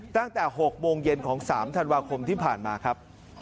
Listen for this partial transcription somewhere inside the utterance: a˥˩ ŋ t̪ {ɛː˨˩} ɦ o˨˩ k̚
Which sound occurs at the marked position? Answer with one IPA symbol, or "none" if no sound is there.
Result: ɛː˨˩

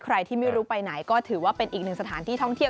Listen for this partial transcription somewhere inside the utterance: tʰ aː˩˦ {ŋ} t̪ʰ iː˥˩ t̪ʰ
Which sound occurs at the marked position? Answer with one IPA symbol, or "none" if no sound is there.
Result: n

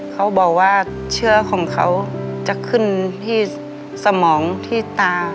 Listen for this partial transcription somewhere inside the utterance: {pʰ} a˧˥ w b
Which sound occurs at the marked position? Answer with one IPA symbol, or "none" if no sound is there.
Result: kʰ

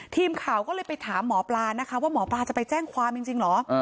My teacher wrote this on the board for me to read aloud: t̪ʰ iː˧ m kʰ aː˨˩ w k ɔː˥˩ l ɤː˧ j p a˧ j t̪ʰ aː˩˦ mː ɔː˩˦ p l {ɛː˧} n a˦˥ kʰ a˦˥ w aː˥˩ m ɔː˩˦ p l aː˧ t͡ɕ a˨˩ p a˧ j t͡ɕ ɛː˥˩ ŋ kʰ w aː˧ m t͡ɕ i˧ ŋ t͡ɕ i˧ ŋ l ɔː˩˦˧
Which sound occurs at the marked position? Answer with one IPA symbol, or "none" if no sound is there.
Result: aː˧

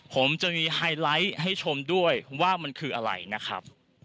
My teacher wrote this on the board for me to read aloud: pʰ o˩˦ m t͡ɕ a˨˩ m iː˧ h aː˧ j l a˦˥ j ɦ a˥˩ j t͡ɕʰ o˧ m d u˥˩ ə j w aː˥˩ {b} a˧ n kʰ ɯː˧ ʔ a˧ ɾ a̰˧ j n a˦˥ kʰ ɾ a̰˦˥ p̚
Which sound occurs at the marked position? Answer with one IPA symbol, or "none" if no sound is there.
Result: m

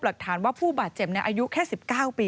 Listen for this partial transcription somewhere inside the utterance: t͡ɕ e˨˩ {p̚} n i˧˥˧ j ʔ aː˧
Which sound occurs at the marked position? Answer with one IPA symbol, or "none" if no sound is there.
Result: p̚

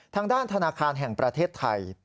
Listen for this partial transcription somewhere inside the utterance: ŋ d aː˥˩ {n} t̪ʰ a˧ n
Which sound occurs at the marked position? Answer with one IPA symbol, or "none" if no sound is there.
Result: n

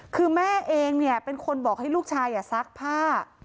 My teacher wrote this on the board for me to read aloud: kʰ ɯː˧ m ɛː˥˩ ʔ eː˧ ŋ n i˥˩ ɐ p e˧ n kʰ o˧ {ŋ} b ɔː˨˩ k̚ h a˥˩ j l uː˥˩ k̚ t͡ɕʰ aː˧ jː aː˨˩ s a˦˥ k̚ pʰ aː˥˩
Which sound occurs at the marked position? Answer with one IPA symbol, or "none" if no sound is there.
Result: n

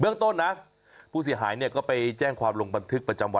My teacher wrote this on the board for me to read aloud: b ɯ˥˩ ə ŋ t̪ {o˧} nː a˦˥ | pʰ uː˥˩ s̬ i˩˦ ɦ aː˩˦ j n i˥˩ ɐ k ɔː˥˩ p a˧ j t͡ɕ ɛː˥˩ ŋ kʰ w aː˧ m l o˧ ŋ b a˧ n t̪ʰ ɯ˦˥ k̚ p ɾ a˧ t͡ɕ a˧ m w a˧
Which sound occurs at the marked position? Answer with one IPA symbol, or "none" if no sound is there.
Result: o˥˩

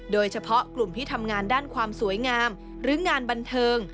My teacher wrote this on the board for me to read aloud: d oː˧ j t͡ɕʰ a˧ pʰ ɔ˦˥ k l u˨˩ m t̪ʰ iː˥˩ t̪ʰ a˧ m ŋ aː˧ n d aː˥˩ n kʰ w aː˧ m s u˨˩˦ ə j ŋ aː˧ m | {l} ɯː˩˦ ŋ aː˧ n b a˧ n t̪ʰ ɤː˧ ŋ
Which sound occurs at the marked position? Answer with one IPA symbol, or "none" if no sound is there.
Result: ɾ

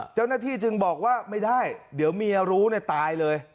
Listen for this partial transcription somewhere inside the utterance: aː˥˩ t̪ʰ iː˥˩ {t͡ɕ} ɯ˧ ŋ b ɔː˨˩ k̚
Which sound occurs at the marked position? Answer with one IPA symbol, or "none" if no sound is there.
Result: t͡ɕ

